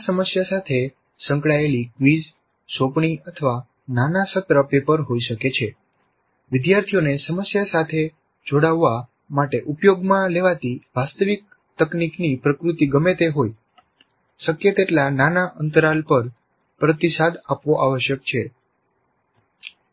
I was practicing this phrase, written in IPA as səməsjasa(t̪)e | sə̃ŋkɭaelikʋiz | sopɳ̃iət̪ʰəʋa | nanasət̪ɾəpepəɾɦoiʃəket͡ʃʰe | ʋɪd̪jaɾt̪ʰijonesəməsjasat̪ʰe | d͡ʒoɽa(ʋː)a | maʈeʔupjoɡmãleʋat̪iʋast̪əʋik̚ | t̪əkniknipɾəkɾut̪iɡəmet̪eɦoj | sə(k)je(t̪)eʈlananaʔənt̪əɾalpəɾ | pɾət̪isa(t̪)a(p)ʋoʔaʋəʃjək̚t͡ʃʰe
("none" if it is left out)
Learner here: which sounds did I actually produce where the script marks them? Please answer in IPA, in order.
t̪ʰ, ʋː, k, t̪, d̪, p

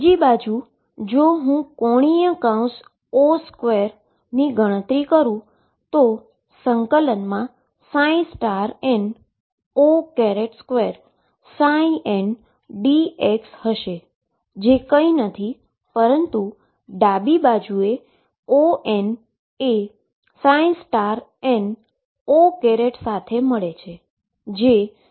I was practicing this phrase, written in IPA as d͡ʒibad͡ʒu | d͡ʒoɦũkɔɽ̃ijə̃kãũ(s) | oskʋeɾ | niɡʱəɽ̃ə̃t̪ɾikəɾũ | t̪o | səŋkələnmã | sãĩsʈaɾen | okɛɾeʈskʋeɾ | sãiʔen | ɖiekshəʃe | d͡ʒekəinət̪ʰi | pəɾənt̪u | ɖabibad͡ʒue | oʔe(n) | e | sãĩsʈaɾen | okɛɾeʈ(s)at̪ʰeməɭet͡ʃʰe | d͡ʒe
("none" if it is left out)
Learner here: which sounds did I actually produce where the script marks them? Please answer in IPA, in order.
s, n, s

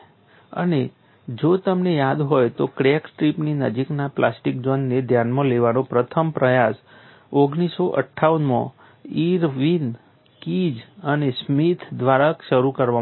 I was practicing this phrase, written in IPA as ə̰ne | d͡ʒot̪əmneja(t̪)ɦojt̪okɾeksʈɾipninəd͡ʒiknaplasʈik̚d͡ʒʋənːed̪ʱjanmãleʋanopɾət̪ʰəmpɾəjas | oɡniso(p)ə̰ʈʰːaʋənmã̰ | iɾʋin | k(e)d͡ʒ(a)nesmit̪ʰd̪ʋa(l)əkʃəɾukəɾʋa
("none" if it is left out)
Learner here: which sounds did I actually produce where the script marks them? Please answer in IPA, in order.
d̪, ʔ, i, ə, ɾ

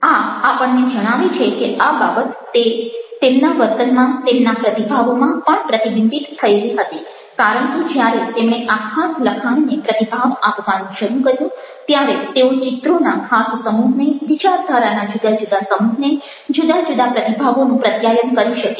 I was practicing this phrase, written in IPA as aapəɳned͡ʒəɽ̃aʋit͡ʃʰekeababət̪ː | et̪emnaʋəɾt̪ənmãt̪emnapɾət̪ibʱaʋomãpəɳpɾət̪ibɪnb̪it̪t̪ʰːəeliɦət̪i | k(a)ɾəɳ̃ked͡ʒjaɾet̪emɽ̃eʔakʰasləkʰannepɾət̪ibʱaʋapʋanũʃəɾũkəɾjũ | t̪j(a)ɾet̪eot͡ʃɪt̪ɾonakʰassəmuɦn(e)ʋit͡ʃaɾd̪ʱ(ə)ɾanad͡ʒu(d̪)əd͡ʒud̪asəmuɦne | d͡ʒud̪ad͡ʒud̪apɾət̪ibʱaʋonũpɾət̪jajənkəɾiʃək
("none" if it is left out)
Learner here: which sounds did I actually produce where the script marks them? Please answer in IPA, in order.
a, a, e, a, d̪

